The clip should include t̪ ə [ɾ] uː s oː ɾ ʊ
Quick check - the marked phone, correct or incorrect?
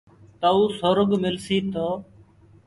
incorrect: none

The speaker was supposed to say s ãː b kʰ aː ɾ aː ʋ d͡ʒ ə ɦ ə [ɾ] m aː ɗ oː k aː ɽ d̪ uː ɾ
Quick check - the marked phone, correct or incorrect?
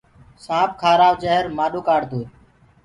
correct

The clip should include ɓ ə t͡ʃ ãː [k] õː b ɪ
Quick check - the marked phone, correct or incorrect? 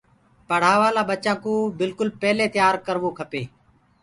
correct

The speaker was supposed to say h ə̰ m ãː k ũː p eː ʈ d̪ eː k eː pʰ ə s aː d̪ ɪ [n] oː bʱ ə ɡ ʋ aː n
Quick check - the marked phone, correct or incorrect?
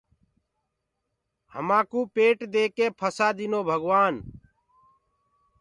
correct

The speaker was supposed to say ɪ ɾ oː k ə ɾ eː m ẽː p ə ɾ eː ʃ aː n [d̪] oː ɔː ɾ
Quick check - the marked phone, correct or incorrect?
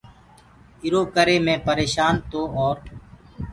incorrect: t̪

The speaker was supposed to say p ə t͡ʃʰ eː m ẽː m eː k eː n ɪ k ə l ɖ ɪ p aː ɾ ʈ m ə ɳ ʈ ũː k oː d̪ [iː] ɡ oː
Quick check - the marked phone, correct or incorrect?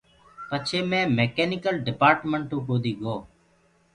correct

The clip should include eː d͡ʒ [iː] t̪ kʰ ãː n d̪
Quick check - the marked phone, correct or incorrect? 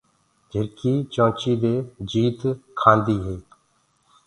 correct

